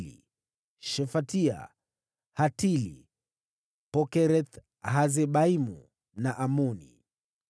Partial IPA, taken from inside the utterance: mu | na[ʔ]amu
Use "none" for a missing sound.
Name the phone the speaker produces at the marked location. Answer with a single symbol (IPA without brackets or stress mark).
ʔ